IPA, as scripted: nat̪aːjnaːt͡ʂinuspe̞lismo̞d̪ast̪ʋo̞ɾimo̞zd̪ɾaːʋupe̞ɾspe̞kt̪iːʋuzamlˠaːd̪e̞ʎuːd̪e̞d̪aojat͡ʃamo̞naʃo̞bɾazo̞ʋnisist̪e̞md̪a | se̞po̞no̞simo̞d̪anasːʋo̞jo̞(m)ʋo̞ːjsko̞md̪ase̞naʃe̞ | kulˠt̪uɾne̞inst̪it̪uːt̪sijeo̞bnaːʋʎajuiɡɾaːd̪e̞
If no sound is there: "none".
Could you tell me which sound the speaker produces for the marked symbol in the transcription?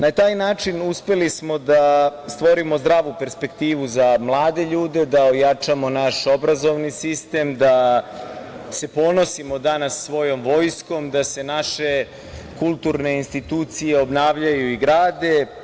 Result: m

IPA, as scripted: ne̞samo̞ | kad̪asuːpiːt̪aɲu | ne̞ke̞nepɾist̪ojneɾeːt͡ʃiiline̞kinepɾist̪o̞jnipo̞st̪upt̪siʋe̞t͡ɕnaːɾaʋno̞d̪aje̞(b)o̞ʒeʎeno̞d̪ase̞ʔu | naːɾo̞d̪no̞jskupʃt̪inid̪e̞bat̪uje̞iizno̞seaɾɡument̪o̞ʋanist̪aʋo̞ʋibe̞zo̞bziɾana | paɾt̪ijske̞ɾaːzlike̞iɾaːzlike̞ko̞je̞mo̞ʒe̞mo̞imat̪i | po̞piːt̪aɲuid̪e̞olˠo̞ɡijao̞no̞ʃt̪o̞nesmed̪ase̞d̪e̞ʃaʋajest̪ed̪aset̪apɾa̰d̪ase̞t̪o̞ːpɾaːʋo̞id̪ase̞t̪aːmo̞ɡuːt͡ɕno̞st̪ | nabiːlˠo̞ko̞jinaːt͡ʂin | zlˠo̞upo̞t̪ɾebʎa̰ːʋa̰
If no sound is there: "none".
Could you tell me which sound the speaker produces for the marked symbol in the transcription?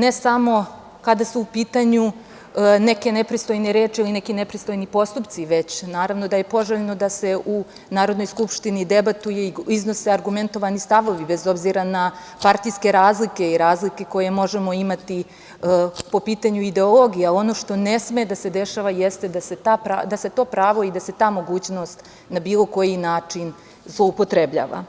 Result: p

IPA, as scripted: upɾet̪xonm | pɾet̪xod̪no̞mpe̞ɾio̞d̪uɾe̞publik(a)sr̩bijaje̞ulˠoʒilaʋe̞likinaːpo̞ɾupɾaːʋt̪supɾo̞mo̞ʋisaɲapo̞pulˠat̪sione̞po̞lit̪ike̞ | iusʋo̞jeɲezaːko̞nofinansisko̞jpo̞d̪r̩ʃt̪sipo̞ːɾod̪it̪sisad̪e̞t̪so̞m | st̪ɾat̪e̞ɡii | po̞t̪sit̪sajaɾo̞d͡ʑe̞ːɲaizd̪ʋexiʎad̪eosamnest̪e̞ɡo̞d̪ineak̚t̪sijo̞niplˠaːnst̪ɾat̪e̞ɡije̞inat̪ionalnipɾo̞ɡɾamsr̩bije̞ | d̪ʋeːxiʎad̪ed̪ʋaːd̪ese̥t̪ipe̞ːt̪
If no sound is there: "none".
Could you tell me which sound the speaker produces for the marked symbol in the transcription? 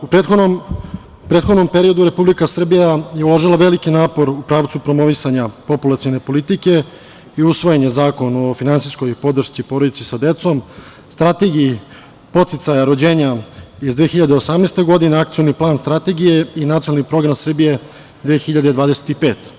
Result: a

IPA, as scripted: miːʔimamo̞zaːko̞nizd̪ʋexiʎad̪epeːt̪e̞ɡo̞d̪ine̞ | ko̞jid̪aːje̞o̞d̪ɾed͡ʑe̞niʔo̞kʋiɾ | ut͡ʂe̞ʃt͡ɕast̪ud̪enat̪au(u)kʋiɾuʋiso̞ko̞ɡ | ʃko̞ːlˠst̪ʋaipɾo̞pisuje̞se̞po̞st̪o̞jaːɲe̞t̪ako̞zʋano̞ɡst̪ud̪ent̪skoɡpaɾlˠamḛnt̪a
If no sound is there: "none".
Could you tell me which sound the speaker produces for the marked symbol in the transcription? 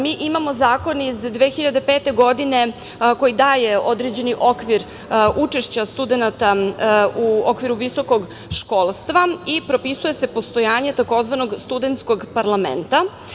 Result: o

